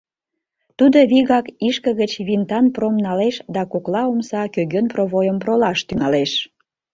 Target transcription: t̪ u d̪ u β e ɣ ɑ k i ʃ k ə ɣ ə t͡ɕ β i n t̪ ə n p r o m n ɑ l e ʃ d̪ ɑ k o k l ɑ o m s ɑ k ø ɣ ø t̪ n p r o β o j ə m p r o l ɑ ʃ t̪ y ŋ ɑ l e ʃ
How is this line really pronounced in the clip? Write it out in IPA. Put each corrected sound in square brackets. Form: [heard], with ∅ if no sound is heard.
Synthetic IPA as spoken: t̪ u d̪ [o] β [i] ɣ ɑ k i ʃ k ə ɣ ə t͡ɕ β i n t̪ [ɑ] n p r o m n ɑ l e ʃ d̪ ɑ k o k l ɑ o m s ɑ k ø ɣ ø [∅] n p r o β o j ə m p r o l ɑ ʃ t̪ y ŋ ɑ l e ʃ